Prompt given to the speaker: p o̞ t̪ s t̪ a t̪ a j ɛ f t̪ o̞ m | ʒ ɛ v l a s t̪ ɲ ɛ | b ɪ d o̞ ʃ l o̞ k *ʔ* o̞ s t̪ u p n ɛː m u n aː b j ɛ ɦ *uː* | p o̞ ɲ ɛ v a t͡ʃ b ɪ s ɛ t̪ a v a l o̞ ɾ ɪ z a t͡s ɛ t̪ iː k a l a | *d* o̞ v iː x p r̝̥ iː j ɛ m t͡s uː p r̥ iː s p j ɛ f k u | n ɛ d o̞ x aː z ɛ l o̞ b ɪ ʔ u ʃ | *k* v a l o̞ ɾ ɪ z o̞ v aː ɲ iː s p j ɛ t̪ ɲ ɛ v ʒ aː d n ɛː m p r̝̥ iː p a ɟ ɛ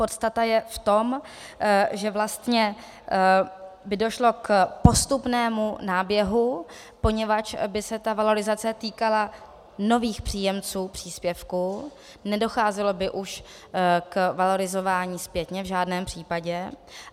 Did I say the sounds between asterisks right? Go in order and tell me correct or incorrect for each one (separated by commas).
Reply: incorrect, incorrect, incorrect, correct